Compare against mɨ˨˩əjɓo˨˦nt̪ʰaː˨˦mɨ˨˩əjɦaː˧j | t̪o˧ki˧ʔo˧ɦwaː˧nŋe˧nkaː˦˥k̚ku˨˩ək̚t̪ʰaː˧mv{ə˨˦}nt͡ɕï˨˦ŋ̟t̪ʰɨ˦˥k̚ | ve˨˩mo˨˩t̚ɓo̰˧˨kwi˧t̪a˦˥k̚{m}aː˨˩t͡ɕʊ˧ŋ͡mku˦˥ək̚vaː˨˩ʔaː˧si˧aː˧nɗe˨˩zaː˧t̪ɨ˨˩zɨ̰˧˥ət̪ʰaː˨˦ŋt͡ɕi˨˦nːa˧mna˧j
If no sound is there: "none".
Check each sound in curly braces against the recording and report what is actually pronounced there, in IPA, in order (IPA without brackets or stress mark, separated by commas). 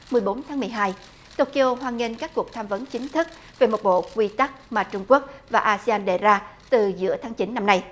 ə˨˦, m